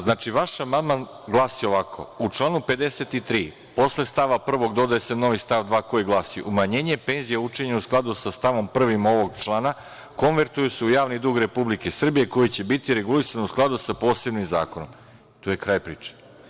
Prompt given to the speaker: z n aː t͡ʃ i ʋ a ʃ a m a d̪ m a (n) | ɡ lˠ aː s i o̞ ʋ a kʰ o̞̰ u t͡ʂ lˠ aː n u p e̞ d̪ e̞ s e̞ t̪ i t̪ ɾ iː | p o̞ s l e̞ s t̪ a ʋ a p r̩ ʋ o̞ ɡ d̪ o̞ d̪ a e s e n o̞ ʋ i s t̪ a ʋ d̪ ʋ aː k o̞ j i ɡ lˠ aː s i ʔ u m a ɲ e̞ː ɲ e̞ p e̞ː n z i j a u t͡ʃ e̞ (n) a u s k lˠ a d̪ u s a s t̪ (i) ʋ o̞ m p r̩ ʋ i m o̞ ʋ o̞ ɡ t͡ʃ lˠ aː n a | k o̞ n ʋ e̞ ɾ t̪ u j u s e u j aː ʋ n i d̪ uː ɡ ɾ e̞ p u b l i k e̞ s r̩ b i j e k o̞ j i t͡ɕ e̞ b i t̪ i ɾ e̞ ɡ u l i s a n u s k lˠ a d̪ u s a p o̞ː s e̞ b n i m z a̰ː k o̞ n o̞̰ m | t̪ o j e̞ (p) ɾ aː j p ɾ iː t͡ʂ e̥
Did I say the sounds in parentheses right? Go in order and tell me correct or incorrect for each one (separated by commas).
correct, incorrect, incorrect, incorrect